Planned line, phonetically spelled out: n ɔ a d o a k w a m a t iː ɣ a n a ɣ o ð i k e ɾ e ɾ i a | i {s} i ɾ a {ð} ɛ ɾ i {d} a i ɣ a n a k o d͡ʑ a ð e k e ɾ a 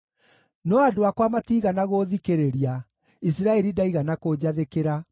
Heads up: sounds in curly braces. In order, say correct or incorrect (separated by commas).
correct, incorrect, correct